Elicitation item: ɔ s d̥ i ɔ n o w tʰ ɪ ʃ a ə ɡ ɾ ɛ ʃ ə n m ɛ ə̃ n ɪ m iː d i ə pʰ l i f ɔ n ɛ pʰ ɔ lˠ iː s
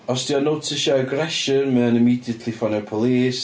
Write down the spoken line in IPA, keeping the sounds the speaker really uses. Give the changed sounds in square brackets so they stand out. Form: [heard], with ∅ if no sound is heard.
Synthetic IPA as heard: ɔ s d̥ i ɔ n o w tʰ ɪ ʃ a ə ɡ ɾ ɛ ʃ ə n m ɛ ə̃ n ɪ m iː d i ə [tʰ] l i f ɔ n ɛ pʰ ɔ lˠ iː s